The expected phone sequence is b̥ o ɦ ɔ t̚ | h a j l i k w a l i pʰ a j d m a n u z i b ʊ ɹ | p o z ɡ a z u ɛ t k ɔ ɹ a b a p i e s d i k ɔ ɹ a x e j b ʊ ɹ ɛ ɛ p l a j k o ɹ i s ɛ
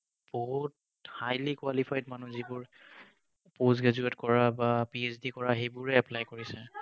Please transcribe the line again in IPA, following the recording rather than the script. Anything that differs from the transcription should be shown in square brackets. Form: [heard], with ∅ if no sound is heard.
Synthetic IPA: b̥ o ɦ [u] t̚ | h a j l i k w a l i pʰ a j d m a n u z i b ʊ ɹ | p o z ɡ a z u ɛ t k ɔ ɹ a b a p i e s d i k ɔ ɹ a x e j b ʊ ɹ ɛ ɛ p l a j k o ɹ i s ɛ